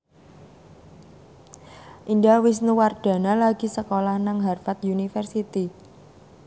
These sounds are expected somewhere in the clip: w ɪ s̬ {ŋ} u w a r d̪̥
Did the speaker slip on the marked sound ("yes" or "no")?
yes